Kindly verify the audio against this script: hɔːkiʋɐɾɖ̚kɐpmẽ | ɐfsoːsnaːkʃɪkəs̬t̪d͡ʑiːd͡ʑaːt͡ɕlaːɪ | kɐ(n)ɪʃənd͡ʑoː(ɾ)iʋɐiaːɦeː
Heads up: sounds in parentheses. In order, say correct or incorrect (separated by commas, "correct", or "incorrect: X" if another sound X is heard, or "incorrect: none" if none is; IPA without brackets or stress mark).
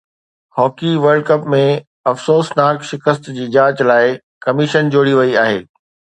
incorrect: m, incorrect: ɽ